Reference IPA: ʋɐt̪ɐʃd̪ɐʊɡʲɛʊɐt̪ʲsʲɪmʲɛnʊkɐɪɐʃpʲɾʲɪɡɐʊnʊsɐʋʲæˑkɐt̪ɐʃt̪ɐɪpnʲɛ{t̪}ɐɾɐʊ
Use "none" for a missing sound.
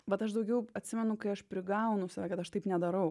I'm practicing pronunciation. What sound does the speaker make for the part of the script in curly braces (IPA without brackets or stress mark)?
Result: d̪